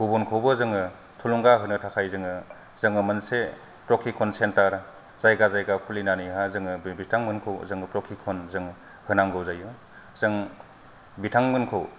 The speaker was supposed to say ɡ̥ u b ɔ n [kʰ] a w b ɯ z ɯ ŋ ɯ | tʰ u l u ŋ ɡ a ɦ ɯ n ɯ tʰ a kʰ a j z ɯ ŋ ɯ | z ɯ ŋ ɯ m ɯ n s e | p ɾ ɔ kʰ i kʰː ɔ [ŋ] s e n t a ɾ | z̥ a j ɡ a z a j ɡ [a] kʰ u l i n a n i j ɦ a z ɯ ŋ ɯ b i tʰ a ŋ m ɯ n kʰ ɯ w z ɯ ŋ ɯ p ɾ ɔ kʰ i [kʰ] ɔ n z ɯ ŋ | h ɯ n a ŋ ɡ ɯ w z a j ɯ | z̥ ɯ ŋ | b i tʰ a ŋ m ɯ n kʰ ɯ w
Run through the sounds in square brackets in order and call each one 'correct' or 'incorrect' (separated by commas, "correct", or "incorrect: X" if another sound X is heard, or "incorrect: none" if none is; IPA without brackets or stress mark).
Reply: correct, incorrect: n, correct, correct